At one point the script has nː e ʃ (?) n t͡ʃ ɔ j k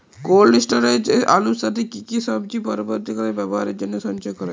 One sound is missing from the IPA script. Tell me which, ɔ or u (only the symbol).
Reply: ɔ